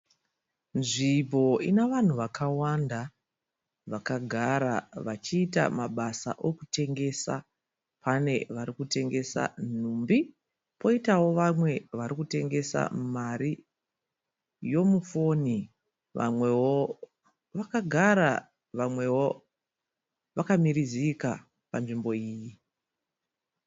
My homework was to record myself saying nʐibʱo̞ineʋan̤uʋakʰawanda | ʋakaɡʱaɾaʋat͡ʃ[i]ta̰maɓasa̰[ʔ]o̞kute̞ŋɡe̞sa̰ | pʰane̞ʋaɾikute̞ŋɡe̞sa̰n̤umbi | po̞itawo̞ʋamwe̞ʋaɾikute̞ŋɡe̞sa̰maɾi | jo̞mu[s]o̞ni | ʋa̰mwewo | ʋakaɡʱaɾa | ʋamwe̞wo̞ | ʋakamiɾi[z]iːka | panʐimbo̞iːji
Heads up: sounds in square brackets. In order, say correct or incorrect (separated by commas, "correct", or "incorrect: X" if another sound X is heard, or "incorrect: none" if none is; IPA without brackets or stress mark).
incorrect: iː, correct, incorrect: f, correct